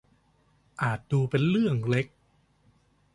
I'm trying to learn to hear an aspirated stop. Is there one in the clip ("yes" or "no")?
no